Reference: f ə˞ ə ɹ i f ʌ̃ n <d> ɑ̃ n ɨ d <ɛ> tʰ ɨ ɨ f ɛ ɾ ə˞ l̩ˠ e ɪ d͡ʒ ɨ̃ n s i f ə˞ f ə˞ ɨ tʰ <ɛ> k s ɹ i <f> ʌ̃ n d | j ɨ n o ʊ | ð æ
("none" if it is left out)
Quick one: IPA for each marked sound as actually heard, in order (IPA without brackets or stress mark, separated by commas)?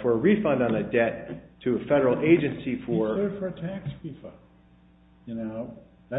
d, ɛ, æ, f